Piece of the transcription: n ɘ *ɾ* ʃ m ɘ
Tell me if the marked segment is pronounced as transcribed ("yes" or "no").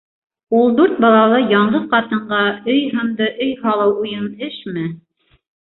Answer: no